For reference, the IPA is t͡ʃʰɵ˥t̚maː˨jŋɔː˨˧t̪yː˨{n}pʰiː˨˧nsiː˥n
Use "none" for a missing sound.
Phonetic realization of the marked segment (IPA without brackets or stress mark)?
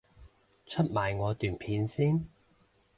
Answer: n